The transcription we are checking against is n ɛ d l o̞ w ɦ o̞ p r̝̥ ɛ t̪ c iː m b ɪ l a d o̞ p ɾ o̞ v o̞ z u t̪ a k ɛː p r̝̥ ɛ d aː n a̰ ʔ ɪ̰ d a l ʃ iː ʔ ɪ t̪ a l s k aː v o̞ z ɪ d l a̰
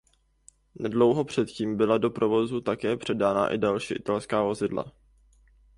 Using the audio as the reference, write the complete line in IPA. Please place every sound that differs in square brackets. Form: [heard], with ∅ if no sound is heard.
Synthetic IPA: n ɛ d l o̞ w ɦ o̞ p r̝̥ ɛ t̪ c iː m b ɪ l a d o̞ p ɾ o̞ v o̞ z u t̪ a k ɛː p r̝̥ ɛ d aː n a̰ ʔ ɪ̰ d a l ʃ iː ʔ ɪ t̪ a l s k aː v o̞ z ɪ d l a̰